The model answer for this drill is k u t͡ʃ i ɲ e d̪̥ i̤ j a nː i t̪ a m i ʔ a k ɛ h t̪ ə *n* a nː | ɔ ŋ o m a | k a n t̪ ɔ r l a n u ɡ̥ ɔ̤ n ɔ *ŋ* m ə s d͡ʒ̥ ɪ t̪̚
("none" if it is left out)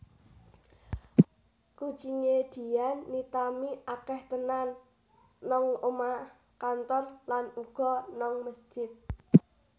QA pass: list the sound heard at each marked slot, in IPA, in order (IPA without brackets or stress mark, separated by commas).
n, ŋ